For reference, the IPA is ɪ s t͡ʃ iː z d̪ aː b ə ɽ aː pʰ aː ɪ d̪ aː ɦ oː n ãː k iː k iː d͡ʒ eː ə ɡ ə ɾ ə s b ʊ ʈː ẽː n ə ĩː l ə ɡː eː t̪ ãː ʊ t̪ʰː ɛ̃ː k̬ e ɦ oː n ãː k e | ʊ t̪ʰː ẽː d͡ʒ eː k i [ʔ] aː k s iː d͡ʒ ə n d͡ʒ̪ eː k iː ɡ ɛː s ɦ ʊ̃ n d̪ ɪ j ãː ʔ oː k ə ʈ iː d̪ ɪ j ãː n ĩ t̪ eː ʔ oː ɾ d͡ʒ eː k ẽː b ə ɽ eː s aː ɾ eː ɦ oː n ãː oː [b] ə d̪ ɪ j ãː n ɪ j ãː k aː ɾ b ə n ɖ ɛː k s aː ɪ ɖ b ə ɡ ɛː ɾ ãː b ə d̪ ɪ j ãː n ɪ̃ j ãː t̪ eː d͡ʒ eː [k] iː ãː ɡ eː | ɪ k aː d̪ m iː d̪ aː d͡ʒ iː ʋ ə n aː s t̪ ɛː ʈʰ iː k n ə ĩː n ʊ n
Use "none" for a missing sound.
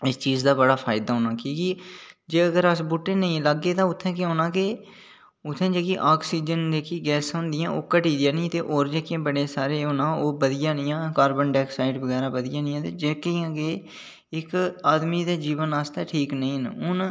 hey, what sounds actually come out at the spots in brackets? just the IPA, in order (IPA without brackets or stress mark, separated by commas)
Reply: ʔ, b, k